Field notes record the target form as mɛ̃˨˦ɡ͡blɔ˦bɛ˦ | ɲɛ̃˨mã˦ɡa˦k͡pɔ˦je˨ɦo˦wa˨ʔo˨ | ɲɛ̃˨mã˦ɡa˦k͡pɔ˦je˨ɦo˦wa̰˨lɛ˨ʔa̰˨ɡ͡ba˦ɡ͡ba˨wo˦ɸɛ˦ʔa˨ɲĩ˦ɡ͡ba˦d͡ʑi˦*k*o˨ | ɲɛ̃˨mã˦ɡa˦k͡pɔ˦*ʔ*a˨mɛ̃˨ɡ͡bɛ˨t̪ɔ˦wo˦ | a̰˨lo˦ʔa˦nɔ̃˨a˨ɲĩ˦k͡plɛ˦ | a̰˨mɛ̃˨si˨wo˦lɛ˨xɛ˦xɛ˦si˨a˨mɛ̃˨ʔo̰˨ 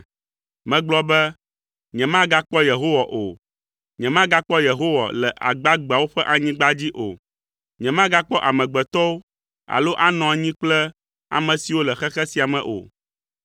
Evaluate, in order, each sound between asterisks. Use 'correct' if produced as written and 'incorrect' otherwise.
incorrect: ʔ, correct

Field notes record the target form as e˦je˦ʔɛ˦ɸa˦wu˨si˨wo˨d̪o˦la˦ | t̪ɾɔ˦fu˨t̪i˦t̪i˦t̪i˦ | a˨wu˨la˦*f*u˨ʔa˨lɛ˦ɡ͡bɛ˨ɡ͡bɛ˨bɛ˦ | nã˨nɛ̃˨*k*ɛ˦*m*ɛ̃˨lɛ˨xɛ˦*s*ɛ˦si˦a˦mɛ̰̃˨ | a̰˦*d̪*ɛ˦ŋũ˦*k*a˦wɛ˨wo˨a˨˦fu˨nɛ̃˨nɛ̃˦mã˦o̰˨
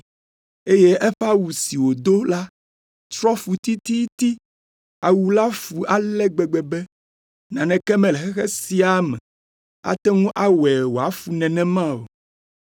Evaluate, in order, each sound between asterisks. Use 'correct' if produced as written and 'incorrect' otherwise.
correct, correct, correct, incorrect: x, incorrect: t̪, incorrect: ʔ

